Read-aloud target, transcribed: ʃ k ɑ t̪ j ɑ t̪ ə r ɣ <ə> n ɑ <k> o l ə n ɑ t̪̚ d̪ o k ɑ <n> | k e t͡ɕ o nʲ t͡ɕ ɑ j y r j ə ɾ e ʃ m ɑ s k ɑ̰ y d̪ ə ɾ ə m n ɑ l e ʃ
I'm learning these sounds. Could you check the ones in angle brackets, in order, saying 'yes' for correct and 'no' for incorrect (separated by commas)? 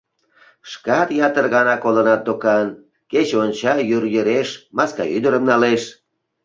no, yes, yes